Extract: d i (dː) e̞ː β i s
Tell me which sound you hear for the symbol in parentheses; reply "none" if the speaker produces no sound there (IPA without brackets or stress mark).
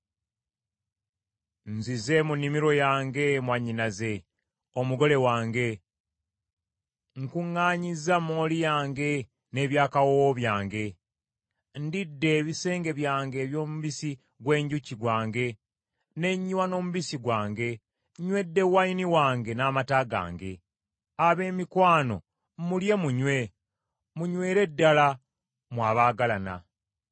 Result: dː